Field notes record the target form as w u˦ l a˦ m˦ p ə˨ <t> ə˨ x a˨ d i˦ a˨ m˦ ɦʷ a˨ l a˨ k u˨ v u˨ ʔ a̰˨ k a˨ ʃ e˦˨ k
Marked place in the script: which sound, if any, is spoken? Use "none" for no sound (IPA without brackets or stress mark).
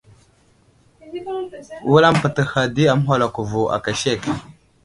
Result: t